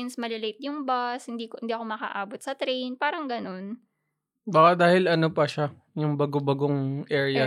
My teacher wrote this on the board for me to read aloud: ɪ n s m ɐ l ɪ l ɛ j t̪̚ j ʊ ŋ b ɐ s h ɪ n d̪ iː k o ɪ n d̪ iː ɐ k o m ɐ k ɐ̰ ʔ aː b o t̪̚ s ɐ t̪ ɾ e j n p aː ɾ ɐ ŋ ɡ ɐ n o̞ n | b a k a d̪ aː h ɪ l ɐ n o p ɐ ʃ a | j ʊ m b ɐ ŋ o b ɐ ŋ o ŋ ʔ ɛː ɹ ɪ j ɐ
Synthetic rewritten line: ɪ n s m ɐ l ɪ l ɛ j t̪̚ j ʊ ŋ b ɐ s h ɪ n d̪ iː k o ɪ n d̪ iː ɐ k o m ɐ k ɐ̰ ʔ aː b o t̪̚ s ɐ t̪ ɾ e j n p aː ɾ ɐ ŋ ɡ ɐ n o̞ n | b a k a d̪ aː h ɪ l ɐ n o p ɐ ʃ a | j ʊ ŋ b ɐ ɡ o b ɐ ɡ o ŋ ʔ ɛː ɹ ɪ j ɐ